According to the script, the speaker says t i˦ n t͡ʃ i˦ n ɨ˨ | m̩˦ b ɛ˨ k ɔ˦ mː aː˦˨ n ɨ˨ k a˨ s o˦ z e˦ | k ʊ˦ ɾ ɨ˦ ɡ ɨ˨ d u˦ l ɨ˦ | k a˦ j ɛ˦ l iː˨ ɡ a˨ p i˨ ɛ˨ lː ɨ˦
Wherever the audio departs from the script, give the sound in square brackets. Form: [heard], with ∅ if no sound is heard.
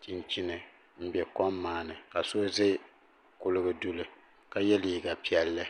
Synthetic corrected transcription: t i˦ n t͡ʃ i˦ n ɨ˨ | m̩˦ b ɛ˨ k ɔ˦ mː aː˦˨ n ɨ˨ k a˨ s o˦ z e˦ | k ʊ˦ [l] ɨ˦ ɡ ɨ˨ d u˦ l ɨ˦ | k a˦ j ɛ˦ l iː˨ ɡ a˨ p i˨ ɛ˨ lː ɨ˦